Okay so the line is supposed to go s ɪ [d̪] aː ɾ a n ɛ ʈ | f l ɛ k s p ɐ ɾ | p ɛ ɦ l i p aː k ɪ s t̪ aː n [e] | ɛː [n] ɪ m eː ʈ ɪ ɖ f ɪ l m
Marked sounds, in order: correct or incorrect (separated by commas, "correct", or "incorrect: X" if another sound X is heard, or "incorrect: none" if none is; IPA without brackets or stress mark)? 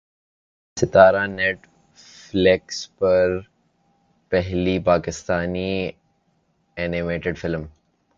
incorrect: t̪, incorrect: i, correct